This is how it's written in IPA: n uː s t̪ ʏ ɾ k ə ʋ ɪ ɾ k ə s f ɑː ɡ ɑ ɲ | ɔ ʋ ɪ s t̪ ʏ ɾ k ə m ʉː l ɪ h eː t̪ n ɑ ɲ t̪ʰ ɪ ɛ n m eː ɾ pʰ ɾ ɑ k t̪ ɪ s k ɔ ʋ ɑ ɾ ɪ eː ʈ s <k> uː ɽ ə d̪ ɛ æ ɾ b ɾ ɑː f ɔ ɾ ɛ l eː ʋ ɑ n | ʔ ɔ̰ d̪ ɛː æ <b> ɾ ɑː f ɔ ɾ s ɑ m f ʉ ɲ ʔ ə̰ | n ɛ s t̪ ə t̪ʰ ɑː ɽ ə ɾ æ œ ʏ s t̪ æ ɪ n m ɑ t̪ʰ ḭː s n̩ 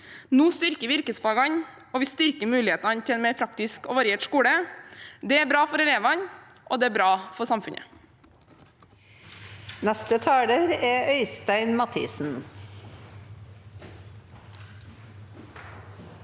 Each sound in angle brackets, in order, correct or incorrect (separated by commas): correct, correct